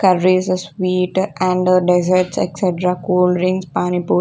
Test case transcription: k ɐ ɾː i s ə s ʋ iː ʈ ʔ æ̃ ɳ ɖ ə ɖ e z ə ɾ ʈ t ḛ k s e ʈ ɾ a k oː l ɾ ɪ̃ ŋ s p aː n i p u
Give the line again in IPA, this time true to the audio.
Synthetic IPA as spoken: k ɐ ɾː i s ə s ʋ iː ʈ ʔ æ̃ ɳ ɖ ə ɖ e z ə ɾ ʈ s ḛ k s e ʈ ɾ a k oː l ɾ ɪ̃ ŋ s p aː n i p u